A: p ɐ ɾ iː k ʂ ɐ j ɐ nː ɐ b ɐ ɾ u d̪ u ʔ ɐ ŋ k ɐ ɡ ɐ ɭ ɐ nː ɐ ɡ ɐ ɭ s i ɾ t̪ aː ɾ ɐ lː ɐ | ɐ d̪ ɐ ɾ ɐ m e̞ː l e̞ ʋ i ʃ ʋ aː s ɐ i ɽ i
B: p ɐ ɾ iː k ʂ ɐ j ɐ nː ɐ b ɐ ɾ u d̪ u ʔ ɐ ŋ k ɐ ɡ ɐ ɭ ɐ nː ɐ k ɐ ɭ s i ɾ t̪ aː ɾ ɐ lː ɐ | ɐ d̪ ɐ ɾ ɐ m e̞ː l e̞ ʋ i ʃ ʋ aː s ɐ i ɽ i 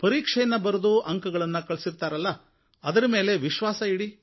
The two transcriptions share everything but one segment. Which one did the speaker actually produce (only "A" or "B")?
B